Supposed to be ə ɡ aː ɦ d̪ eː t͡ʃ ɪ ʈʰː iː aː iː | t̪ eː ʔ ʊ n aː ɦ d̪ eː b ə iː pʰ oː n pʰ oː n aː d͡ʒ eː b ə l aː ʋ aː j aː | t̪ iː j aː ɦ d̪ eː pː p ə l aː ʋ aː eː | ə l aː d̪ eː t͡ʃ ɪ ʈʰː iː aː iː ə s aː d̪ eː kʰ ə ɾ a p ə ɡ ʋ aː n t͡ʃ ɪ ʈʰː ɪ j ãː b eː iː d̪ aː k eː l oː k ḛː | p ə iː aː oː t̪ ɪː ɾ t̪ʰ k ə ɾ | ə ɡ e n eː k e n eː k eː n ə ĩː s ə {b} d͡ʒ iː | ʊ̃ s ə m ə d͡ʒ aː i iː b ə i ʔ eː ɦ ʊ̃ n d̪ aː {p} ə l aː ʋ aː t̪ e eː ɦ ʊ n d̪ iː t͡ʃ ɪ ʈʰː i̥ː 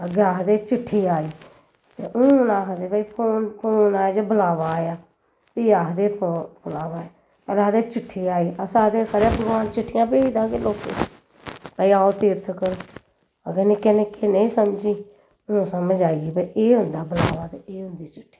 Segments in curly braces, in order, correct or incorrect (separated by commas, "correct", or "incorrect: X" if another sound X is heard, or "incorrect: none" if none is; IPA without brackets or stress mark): incorrect: m, incorrect: b